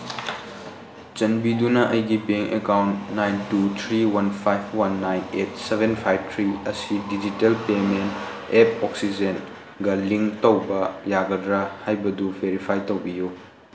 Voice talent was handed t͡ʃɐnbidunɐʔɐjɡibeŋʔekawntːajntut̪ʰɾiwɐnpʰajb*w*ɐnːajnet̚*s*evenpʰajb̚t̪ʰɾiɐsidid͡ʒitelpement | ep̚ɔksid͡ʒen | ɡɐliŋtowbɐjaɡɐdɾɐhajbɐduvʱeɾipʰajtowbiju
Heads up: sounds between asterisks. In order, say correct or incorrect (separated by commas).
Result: correct, correct